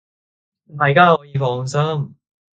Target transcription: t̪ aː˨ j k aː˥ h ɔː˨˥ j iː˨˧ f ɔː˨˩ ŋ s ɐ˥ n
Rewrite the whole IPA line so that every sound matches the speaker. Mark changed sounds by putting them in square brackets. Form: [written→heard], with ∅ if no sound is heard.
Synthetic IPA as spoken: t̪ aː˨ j k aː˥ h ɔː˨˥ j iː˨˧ f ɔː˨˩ ŋ s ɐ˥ [n→m]